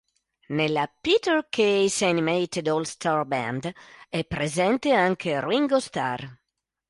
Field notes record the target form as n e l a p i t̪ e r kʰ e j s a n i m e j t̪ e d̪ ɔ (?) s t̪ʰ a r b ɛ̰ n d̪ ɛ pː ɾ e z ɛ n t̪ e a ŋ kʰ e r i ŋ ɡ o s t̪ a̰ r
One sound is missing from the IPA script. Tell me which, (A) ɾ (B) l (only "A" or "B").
B